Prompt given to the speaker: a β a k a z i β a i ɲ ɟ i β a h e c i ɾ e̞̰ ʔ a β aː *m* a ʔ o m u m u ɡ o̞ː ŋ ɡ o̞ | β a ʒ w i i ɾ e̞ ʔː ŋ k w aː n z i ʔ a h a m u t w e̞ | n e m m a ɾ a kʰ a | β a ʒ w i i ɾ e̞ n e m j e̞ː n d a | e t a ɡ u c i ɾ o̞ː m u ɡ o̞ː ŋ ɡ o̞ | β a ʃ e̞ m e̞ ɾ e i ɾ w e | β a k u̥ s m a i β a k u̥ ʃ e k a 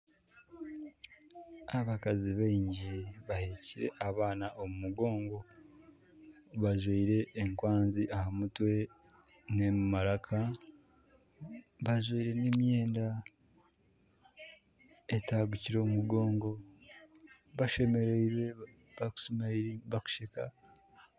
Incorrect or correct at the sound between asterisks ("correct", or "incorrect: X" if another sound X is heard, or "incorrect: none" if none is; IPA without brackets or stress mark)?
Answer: incorrect: n